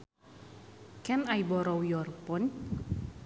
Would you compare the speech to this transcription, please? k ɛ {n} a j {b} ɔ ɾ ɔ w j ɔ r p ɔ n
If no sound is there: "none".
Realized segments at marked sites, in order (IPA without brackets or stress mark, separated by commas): n, b